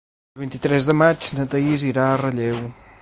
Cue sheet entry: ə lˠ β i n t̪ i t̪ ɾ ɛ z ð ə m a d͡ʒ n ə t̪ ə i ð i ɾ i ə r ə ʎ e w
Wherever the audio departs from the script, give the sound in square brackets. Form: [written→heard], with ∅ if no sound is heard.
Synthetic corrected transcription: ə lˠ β i n t̪ i t̪ ɾ ɛ z ð ə m a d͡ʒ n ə t̪ ə i [ð→z] i ɾ [i→a] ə r ə ʎ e w

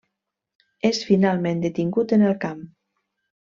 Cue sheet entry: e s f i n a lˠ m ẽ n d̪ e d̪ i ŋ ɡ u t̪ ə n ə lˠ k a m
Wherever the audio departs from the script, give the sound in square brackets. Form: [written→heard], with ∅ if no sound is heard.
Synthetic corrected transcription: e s f i n a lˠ m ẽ n d̪ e [d̪→t̪] i ŋ ɡ u t̪ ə n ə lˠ k a m

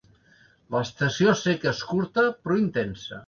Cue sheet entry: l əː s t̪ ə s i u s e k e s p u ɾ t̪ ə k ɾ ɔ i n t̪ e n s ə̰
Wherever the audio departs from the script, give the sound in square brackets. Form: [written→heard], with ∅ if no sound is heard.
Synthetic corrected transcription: l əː s t̪ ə s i [u→o] s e k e s [p→k] u ɾ t̪ ə [k→p] ɾ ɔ i n t̪ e n s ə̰

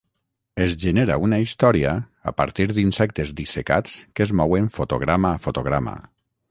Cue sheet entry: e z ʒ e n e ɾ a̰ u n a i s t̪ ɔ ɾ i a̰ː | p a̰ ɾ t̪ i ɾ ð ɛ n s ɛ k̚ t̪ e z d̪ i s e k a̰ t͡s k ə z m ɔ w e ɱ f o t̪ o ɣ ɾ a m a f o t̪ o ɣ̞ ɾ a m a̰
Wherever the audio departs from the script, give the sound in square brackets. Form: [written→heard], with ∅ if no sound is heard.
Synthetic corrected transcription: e z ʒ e n e ɾ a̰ u n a i s t̪ ɔ ɾ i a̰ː | p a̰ ɾ t̪ i ɾ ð [ɛ→i] n s ɛ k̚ t̪ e z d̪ i s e k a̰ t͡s k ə z m ɔ w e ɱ f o t̪ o ɣ ɾ a m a f o t̪ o ɣ̞ ɾ a m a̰

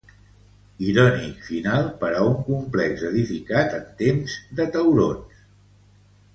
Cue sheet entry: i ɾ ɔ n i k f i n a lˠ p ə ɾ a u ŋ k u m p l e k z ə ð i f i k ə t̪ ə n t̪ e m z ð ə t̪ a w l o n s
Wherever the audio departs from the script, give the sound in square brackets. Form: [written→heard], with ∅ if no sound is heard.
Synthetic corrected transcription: i ɾ ɔ n i k f i n a lˠ p ə ɾ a u ŋ k u m p l [e→ɛ] k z ə ð i f i k [ə→a] t̪ ə n t̪ e m z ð ə t̪ [a→ə] w [l→ɾ] o n s

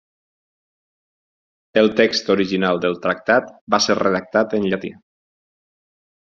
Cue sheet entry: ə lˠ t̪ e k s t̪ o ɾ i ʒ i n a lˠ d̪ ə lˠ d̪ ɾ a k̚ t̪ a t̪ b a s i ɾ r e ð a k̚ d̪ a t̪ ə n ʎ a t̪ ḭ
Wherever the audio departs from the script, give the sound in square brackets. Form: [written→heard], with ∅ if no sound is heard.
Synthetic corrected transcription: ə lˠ t̪ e k s t̪ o ɾ i ʒ i n a lˠ d̪ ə lˠ [d̪→t̪] ɾ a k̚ t̪ a t̪ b a s [i→e] ɾ r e ð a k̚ [d̪→t̪] a t̪ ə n ʎ a t̪ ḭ

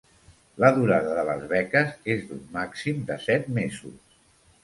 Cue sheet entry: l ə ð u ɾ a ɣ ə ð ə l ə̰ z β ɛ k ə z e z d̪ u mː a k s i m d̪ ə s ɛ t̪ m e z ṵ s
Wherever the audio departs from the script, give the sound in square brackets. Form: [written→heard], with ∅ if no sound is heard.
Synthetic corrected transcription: l ə ð u ɾ a [ɣ→ð] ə ð ə l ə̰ z β ɛ k ə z e z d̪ u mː a k s i m d̪ ə s ɛ t̪ m e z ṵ s

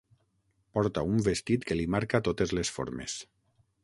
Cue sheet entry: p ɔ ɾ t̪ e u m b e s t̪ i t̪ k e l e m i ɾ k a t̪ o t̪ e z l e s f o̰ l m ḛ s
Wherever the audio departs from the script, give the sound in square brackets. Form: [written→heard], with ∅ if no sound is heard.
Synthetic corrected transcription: p ɔ ɾ t̪ [e→a] u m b e s t̪ i t̪ k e l [e→i] m [i→a] ɾ k a t̪ o t̪ e z l e s f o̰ [l→ɾ] m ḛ s

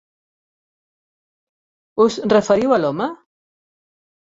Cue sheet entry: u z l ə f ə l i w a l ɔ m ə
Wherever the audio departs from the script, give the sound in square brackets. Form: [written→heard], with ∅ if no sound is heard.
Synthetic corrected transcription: u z [l→r] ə f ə [l→ɾ] i w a l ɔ m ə

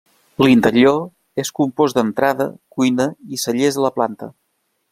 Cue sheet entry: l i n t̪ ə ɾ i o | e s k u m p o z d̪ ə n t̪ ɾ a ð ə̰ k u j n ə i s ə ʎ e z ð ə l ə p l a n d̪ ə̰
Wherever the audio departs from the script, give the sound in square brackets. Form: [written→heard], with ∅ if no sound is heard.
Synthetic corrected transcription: l i n t̪ ə ɾ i o | e s k u m p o z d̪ ə n t̪ ɾ a ð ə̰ k u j n ə i s ə ʎ e z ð ə l ə p l a n [d̪→t̪] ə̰

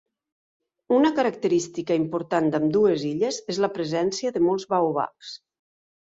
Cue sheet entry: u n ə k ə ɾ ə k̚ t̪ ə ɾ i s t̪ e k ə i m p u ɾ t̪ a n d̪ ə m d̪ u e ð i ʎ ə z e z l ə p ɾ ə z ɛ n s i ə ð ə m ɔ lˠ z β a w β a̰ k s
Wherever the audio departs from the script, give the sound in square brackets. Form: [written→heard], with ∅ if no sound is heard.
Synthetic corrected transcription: u n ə k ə ɾ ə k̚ t̪ ə ɾ i s t̪ [e→i] k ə i m p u ɾ t̪ a n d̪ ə m d̪ u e [ð→z] i ʎ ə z e z l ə p ɾ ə z ɛ n s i ə ð ə m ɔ lˠ z β a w β a̰ k s

